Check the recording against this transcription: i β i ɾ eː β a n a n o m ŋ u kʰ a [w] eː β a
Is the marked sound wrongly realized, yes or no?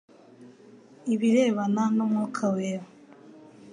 no